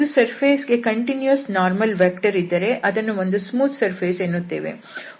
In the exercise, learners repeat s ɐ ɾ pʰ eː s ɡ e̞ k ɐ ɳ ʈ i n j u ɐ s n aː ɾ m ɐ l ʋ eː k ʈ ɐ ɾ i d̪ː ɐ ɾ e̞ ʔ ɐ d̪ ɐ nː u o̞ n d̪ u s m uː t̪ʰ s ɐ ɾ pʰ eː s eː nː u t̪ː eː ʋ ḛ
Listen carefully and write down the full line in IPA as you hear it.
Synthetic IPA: s ɐ ɾ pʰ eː s ɡ e̞ k ɐ ɳ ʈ i n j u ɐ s n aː ɾ m ɐ l ʋ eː k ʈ ɐ ɾ i d̪ː ɐ ɾ e̞ ʔ ɐ d̪ ɐ nː u o̞ n d̪ u s m uː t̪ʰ s ɐ ɾ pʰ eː s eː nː u t̪ː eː ʋ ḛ